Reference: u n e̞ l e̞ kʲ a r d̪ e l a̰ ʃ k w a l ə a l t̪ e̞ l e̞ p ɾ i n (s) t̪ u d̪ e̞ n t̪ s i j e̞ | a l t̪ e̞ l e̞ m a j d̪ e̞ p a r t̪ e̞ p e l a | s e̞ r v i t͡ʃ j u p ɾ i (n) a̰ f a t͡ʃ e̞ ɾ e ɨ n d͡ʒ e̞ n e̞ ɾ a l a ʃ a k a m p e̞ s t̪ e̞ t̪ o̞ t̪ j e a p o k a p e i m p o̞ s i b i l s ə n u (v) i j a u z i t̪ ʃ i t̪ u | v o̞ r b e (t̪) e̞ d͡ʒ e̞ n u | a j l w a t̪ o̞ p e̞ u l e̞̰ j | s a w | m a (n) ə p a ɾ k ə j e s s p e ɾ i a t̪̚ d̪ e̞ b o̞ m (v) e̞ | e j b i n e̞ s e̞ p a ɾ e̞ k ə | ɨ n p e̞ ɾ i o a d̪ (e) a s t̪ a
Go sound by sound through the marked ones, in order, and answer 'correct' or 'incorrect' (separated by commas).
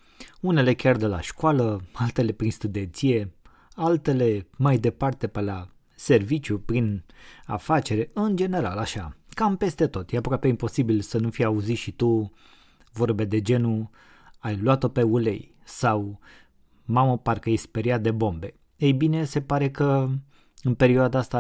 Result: correct, correct, incorrect, incorrect, incorrect, incorrect, incorrect